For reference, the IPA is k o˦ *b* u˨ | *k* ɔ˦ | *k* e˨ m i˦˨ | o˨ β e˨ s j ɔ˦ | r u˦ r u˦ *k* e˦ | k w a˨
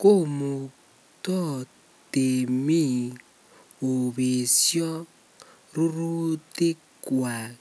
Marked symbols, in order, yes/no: no, no, no, no

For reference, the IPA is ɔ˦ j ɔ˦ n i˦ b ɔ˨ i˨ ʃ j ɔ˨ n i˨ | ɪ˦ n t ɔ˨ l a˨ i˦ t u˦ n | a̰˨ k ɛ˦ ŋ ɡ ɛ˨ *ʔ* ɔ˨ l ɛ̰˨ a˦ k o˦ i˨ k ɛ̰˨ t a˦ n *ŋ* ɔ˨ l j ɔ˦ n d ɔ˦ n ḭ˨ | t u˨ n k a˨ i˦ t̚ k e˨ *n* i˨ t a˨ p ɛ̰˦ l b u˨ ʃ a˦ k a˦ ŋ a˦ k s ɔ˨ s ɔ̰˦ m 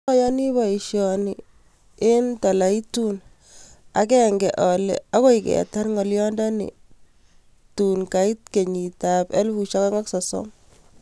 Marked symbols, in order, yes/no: yes, yes, no

